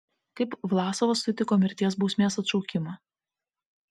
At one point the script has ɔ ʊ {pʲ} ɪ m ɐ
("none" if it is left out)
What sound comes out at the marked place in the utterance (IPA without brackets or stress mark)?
kʲ